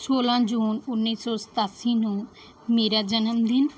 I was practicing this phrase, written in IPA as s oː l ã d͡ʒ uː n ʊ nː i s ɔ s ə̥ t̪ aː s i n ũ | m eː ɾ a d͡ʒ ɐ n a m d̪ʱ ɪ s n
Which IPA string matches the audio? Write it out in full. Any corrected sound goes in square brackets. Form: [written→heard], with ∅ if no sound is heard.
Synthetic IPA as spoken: s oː l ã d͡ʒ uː n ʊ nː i s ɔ s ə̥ t̪ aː s i n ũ | m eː ɾ a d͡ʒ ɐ n [a→ə] m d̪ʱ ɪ [s→∅] n